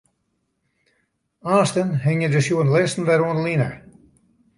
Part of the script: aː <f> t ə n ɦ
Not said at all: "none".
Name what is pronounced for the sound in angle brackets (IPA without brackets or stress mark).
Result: s